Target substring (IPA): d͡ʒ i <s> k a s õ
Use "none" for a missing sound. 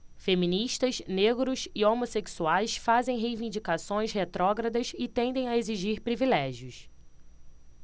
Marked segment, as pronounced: none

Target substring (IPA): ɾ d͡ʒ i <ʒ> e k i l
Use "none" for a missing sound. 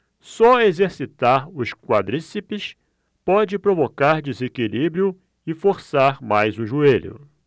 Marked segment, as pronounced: z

